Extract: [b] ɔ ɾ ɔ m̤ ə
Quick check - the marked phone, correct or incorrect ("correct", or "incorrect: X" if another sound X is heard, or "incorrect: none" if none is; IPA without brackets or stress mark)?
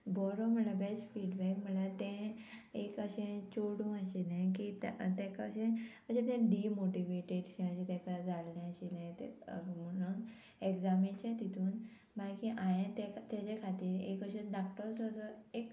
correct